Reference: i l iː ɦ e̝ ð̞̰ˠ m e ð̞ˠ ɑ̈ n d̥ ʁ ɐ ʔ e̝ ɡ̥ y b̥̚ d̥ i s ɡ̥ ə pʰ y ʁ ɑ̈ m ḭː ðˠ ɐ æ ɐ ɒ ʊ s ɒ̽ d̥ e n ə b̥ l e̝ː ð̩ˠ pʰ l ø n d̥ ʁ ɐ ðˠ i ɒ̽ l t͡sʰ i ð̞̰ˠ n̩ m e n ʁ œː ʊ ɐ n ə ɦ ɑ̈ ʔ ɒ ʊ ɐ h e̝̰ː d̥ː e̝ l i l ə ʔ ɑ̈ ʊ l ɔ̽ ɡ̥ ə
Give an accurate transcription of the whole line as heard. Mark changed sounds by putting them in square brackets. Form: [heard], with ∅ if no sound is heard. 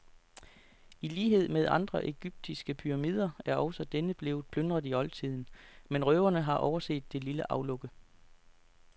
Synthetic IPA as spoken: i l iː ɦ e̝ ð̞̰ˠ m e ð̞ˠ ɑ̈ n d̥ ʁ ɐ ʔ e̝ ɡ̥ y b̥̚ d̥ i s ɡ̥ ə pʰ y ʁ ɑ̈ m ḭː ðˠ ɐ æ ɐ ɒ ʊ s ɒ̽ d̥ e n ə b̥ l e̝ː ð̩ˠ pʰ l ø n d̥ ʁ ɐ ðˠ i ɒ̽ l t͡sʰ i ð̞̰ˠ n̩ m e n ʁ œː ʊ ɐ n ə ɦ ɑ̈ ʔ ɒ ʊ ɐ [s] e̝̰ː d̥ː e̝ l i l ə ʔ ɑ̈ ʊ l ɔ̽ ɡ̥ ə

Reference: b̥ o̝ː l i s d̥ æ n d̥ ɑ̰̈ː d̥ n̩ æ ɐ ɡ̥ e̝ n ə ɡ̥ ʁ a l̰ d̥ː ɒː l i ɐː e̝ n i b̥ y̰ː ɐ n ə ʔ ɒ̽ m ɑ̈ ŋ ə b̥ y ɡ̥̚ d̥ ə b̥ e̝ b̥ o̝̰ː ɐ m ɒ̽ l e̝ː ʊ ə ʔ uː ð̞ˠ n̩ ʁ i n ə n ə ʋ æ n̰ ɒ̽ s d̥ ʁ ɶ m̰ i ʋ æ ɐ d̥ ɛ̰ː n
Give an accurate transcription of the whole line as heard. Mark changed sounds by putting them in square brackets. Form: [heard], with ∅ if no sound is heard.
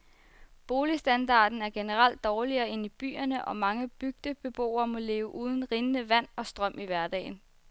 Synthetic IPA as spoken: b̥ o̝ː l i s d̥ æ n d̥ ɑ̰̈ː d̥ n̩ æ ɐ ɡ̥ e̝ n ə [∅] ʁ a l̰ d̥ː ɒː l i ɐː e̝ n i b̥ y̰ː ɐ n ə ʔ ɒ̽ m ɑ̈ ŋ ə b̥ y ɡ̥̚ d̥ ə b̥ e̝ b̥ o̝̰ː ɐ m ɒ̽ l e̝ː ʊ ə ʔ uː ð̞ˠ n̩ ʁ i n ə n ə ʋ æ n̰ ɒ̽ s d̥ ʁ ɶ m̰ i ʋ æ ɐ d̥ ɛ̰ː n

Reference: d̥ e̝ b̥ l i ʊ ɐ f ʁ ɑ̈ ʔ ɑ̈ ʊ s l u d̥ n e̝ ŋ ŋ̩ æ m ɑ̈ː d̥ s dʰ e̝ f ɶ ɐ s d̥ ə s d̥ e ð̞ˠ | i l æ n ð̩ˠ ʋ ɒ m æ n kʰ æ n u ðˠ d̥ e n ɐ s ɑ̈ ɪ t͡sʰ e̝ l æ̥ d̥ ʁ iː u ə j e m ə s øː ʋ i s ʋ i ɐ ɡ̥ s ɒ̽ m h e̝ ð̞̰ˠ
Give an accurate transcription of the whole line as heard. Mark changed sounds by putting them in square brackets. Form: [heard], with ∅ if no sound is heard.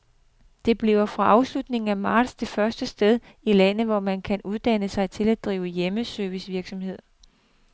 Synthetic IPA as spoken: d̥ e̝ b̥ l i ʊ ɐ f ʁ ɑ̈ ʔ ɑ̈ ʊ s l u d̥ n e̝ ŋ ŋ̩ æ m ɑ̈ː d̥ s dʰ e̝ f ɶ ɐ s d̥ ə s d̥ e ð̞ˠ | i l æ n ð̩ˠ ʋ ɒ m æ n kʰ æ n u ðˠ d̥ [æ] n [ə] s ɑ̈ ɪ t͡sʰ e̝ l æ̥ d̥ ʁ iː [ʊ] ə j e m ə s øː ʋ i s ʋ i ɐ ɡ̥ s ɒ̽ m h e̝ ð̞̰ˠ

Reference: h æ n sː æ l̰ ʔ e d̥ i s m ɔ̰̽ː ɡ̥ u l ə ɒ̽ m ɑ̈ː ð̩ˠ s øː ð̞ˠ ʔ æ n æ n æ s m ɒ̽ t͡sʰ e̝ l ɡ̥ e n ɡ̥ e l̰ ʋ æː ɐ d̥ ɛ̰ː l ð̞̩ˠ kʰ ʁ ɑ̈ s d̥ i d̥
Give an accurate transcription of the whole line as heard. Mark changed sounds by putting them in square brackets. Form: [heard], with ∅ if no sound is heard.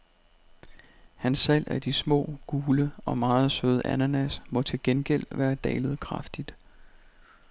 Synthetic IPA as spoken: h æ n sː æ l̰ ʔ [æ] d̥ i s m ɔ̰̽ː ɡ̥ [uː] l ə ɒ̽ m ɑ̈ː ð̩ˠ s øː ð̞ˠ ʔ æ n æ n æ s m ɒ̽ t͡sʰ e̝ l ɡ̥ e n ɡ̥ e l̰ ʋ æː ɐ d̥ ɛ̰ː l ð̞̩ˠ kʰ ʁ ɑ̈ [f] d̥ i d̥

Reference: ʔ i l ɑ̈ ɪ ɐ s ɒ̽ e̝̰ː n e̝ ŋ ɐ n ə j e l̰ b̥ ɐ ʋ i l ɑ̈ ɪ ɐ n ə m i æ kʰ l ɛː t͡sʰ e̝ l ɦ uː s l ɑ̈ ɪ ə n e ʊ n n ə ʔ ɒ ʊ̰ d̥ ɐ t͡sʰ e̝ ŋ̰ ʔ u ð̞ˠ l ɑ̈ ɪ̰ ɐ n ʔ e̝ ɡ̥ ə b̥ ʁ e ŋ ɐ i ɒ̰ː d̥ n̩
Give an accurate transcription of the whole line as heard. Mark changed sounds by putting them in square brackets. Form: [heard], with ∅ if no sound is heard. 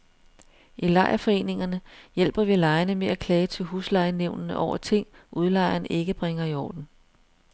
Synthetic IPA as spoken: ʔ i l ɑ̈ ɪ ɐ [f] ɒ̽ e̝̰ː n e̝ ŋ ɐ n ə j e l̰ b̥ ɐ ʋ i l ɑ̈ ɪ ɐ n ə m [e] æ kʰ l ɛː t͡sʰ e̝ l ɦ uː s l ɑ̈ ɪ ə n e ʊ n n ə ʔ ɒ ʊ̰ [∅] ɐ t͡sʰ e̝ ŋ̰ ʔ u ð̞ˠ l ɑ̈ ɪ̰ ɐ n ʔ e̝ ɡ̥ ə b̥ ʁ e ŋ ɐ i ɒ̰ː d̥ n̩

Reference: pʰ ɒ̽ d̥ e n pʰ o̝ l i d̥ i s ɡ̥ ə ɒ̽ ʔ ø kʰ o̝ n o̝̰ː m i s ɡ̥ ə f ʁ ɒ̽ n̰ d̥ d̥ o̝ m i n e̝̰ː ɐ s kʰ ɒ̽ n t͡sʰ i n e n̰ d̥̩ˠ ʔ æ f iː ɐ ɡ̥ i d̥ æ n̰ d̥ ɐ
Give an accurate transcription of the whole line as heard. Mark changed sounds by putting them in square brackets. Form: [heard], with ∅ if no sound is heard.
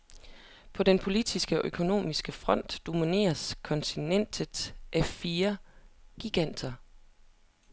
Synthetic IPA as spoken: pʰ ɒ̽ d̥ e n pʰ o̝ l i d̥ i s ɡ̥ ə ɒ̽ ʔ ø kʰ o̝ n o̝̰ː m i s ɡ̥ ə f ʁ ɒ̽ n̰ d̥ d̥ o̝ m i n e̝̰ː ɐ s kʰ ɒ̽ n t͡sʰ i n e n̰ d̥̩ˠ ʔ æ f iː ɐ ɡ̥ i [ɡ̥] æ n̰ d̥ ɐ

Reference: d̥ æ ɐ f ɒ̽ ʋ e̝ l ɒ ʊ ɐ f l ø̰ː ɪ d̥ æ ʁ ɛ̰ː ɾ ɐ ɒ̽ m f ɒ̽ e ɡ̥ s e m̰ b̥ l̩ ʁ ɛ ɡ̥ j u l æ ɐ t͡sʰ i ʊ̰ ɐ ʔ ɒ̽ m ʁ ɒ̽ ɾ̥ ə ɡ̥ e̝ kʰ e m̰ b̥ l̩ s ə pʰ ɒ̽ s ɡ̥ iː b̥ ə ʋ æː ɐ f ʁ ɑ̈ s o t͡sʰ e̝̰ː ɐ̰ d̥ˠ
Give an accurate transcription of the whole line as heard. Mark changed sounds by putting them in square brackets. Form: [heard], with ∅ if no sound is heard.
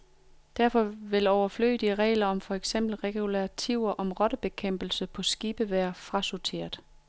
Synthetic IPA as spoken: d̥ æ ɐ f ɒ̽ ʋ e̝ l ɒ ʊ ɐ f l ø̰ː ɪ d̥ [i] ʁ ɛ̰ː [l] ɐ ɒ̽ m f ɒ̽ e ɡ̥ s e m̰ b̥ l̩ ʁ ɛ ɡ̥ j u l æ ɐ t͡sʰ i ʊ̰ ɐ ʔ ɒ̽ m ʁ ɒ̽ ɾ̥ ə [b̥] e̝ kʰ e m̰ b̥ l̩ s ə pʰ ɒ̽ s ɡ̥ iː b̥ ə ʋ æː ɐ f ʁ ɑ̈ s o t͡sʰ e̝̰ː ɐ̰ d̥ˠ

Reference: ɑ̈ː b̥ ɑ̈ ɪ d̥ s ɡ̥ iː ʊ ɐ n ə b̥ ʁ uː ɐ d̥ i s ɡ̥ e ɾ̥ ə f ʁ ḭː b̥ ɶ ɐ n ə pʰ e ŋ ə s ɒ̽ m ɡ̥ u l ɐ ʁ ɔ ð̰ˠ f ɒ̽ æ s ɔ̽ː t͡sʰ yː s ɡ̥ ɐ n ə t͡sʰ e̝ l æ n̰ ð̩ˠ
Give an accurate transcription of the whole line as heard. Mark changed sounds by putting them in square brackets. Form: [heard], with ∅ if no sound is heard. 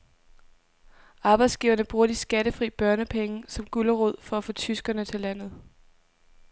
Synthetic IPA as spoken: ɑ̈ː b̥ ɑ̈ ɪ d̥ s ɡ̥ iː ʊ ɐ n ə b̥ ʁ uː ɐ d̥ i s ɡ̥ [æ] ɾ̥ ə f ʁ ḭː b̥ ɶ ɐ n ə pʰ e ŋ ə s ɒ̽ m ɡ̥ u l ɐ ʁ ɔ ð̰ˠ f ɒ̽ æ [f] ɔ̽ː t͡sʰ [y] s ɡ̥ ɐ n ə t͡sʰ e̝ l æ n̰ ð̩ˠ

